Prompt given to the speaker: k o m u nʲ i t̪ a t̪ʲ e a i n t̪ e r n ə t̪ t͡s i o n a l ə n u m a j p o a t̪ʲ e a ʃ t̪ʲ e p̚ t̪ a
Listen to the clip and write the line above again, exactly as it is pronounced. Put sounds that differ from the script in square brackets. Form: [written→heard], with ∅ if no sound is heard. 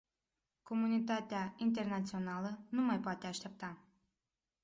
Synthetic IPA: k o m u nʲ i t̪ a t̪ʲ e a i n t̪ e r n [ə→a] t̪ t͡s i o n a l ə n u m a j p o a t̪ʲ e a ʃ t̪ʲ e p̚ t̪ a